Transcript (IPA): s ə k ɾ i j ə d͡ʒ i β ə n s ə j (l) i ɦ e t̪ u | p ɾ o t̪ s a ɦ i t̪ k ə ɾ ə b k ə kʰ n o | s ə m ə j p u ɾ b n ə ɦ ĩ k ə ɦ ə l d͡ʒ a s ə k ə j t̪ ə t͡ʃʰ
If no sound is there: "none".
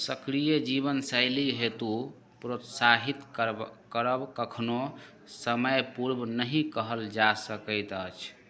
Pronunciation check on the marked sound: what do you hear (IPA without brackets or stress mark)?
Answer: l